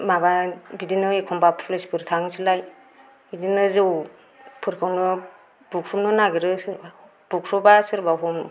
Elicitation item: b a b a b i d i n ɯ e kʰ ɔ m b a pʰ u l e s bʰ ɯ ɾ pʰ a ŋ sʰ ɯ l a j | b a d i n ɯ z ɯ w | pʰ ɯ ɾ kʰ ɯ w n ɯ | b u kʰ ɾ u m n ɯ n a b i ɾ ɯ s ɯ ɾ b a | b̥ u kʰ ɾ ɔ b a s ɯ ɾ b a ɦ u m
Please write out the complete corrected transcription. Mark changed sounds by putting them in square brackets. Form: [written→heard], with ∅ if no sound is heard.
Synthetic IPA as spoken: [b→m] a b a b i d i n ɯ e kʰ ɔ m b a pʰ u l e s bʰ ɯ ɾ [pʰ→tʰ] a ŋ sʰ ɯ l a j | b [a→i] d i n ɯ z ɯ w | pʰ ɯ ɾ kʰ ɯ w n ɯ | b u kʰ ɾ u m n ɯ n a [b→ɡ] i ɾ ɯ s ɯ ɾ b a | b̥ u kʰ ɾ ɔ b a s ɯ ɾ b a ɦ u m